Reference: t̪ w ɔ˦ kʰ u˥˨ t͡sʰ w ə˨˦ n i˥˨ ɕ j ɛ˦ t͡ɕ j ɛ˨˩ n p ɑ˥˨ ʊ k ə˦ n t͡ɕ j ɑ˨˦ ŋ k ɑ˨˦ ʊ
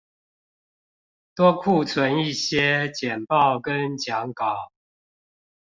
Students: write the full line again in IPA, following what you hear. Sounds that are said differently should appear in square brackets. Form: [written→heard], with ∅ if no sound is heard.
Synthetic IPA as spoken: t̪ w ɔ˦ kʰ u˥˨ t͡sʰ w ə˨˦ n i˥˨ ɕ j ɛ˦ t͡ɕ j ɛ˨˩ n p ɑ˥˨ ʊ k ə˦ n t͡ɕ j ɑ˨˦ ŋ k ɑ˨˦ ʊ